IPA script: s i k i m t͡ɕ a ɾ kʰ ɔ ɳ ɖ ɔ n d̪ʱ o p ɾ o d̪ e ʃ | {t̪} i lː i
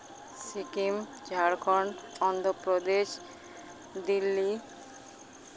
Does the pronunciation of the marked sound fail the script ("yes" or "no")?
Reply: yes